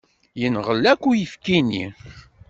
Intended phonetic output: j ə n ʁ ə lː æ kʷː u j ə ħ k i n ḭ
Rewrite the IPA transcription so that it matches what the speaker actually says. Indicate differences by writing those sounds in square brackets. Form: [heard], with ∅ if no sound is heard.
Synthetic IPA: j ə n ʁ ə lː æ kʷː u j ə [f] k i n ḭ